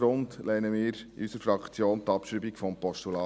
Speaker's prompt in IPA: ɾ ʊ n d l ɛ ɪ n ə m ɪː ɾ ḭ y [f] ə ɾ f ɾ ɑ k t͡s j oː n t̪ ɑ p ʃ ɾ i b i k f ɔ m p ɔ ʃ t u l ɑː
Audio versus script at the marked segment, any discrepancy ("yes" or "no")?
yes